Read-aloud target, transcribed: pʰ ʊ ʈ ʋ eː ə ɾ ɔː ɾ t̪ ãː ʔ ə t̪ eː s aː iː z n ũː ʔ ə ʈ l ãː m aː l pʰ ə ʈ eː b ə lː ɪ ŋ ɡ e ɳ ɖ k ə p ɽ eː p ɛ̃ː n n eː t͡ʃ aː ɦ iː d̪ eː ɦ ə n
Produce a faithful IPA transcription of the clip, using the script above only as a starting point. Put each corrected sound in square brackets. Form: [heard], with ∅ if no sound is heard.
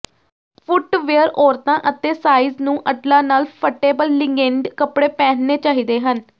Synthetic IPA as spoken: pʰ ʊ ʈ ʋ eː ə ɾ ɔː ɾ t̪ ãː ʔ ə t̪ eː s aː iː z n ũː ʔ ə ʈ l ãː [n] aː l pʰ ə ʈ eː b ə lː ɪ ŋ ɡ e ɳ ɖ k ə p ɽ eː p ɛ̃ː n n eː t͡ʃ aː ɦ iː d̪ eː ɦ ə n